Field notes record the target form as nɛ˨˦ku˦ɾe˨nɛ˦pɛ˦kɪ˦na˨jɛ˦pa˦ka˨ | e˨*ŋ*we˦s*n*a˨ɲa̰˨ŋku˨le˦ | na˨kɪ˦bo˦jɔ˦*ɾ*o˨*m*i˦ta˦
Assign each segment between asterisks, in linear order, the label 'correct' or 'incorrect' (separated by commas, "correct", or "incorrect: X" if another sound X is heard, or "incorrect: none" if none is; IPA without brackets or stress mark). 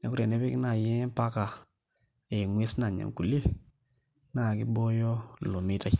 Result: correct, correct, incorrect: l, correct